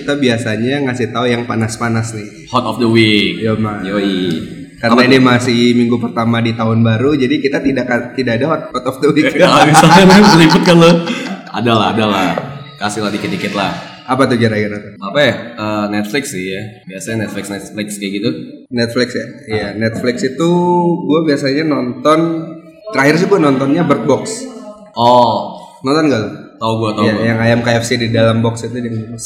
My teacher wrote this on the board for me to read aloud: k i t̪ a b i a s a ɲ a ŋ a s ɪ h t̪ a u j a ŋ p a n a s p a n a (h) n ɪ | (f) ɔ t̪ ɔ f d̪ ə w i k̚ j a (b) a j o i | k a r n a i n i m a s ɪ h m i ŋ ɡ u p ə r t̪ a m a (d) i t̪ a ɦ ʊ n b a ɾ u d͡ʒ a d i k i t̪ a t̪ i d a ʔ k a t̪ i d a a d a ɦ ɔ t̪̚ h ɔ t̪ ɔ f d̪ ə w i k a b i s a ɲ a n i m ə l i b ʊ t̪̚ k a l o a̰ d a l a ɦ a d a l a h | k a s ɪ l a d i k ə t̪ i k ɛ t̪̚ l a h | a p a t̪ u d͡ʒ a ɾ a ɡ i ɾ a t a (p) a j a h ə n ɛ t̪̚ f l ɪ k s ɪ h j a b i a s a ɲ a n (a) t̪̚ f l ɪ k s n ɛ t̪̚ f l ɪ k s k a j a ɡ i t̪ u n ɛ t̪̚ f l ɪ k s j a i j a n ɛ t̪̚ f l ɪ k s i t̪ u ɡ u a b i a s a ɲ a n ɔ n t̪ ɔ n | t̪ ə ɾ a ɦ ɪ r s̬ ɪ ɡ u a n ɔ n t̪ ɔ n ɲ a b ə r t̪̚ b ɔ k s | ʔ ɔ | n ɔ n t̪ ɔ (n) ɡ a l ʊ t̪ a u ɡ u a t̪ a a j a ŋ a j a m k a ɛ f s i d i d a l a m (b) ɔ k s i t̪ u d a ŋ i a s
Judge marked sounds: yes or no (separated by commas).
no, no, no, yes, yes, no, yes, yes